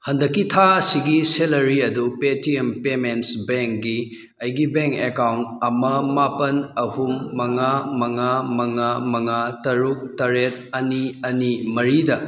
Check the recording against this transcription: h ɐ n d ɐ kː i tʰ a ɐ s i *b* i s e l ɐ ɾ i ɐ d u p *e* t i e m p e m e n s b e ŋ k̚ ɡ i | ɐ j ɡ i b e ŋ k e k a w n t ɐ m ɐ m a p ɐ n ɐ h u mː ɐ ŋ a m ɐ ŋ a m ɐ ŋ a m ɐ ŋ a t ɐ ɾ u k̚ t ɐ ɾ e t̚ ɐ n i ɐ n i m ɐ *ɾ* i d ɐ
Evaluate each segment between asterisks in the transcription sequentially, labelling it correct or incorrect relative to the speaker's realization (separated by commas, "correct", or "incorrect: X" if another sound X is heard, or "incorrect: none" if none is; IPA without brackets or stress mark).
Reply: incorrect: ɡ, correct, correct